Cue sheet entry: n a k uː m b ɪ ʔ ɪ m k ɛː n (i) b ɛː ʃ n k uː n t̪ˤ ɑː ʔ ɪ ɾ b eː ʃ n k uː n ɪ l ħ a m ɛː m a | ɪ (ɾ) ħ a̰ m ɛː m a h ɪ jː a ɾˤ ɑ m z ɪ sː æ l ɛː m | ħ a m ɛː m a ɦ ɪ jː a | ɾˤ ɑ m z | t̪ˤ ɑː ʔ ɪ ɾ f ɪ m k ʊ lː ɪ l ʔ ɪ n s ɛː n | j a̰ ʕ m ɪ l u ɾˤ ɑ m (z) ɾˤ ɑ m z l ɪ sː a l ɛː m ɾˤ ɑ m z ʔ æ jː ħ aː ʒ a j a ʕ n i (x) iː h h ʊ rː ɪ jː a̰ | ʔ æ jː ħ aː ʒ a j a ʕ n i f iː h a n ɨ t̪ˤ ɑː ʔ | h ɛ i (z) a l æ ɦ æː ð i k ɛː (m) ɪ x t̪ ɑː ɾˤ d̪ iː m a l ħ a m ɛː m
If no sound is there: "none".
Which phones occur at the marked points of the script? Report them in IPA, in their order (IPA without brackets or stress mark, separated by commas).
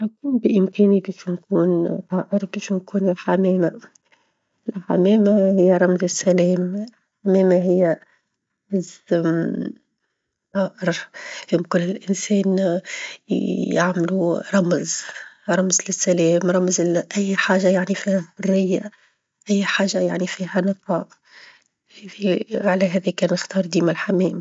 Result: i, l, z, f, ʕ, n